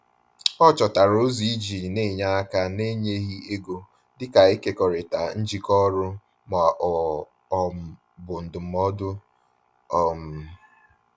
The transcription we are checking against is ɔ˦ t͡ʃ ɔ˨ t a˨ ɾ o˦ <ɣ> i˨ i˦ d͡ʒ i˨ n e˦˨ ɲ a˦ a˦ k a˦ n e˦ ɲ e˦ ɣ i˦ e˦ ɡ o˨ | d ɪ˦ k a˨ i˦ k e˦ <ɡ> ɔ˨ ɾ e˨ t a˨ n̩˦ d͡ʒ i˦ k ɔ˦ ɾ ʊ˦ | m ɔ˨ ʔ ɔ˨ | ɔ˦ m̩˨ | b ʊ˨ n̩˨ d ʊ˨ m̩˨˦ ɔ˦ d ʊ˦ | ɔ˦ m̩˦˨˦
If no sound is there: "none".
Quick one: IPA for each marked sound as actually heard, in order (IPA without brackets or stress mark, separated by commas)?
z, k